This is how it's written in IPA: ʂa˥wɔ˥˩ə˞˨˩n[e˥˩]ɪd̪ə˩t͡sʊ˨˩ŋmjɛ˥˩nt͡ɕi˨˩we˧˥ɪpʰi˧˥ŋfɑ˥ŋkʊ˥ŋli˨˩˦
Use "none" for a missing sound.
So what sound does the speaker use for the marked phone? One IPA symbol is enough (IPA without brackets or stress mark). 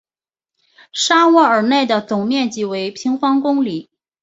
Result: e˥˩